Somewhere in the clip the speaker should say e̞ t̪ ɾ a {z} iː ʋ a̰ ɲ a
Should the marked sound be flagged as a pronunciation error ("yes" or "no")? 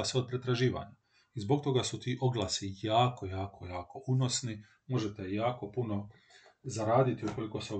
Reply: yes